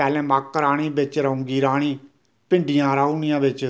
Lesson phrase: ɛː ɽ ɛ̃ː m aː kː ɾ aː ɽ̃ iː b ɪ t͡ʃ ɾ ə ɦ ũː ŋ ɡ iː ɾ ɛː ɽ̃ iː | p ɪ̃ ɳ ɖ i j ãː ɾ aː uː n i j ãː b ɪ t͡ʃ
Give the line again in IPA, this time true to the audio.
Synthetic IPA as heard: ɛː l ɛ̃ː m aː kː ɾ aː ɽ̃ iː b ɪ t͡ʃ ɾ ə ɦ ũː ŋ ɡ iː ɾ aː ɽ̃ iː | p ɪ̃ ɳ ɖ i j ãː ɾ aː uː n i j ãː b ɪ t͡ʃ